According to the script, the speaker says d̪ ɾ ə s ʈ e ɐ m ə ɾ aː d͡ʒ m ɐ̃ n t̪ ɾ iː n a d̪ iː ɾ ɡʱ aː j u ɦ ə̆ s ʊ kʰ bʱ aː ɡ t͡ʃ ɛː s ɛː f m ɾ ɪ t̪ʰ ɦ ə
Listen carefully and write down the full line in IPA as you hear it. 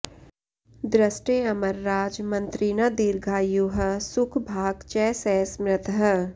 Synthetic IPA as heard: d̪ ɾ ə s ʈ e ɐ m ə ɾː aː d͡ʒ m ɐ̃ n t̪ ɾ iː n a d̪ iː ɾ ɡʱ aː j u ɦ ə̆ s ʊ kʰ bʱ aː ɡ t͡ʃ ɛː s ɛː s m ɾ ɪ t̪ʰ ɦ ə